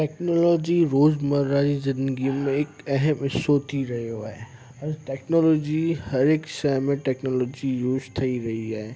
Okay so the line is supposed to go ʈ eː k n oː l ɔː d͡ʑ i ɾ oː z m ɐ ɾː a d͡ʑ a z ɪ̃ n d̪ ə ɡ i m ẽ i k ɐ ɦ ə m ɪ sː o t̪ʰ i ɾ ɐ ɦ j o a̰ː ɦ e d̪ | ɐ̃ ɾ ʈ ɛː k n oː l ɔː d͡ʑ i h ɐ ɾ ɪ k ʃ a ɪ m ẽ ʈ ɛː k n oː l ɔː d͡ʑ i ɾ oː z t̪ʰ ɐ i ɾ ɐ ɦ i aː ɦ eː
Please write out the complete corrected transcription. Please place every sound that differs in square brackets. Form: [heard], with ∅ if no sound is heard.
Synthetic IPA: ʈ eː k n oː l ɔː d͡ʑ i ɾ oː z m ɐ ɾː a d͡ʑ [i] z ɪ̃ n d̪ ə ɡ i m ẽ [ɪ] k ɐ ɦ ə m ɪ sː o t̪ʰ i ɾ ɐ ɦ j o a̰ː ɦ e [∅] | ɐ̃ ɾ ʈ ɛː k n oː l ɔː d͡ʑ i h ɐ ɾ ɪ k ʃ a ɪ m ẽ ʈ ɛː k n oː l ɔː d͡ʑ i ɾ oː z t̪ʰ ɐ i ɾ ɐ ɦ i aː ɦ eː

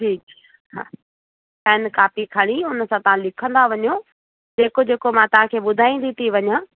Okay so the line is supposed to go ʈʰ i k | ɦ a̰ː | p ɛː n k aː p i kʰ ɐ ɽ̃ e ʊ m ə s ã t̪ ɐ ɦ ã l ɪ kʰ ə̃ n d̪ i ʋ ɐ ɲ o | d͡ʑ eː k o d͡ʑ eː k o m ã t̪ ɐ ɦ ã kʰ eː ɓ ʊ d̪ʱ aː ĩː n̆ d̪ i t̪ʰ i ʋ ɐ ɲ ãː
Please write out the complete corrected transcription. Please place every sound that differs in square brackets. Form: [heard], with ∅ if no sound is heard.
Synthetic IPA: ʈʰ [iː] k | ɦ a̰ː | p ɛː n k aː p i kʰ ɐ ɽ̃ [i] ʊ [n] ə s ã t̪ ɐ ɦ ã l ɪ kʰ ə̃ n d̪ [a] ʋ ɐ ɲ o | d͡ʑ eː k o d͡ʑ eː k o m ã t̪ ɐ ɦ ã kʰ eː ɓ ʊ d̪ʱ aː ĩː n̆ d̪ i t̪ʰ i ʋ ɐ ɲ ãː

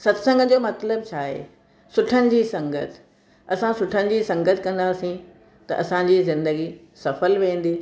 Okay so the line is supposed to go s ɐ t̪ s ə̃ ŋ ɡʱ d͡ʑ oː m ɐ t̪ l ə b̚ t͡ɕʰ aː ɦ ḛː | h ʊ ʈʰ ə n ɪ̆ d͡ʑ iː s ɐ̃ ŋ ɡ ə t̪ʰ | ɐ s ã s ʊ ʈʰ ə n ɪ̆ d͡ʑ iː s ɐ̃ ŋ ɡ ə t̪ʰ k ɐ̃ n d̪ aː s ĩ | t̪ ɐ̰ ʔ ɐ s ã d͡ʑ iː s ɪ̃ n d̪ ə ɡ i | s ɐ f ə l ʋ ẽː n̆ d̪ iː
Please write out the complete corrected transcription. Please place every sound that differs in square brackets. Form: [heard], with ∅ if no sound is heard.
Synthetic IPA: s ɐ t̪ s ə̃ ŋ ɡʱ d͡ʑ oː m ɐ t̪ l ə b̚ t͡ɕʰ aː ɦ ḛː | [s] ʊ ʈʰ ə n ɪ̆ d͡ʑ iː s ɐ̃ ŋ ɡ ə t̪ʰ | ɐ s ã s ʊ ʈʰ ə n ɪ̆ d͡ʑ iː s ɐ̃ ŋ ɡ ə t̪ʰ k ɐ̃ n d̪ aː s ĩ | t̪ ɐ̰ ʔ ɐ s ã d͡ʑ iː [z] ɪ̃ n d̪ ə ɡ i | s ɐ f ə l ʋ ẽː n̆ d̪ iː

